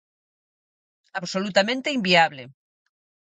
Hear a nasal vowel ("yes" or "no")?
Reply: yes